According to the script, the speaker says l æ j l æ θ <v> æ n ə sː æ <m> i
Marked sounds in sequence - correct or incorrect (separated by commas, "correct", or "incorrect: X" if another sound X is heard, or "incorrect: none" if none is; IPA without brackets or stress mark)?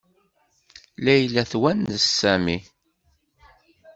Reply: incorrect: w, correct